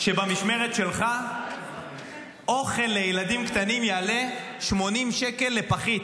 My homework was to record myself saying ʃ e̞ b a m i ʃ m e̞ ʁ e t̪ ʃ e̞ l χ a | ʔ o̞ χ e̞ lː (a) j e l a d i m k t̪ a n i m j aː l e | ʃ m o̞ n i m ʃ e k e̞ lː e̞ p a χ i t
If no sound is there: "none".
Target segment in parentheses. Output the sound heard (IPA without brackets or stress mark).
e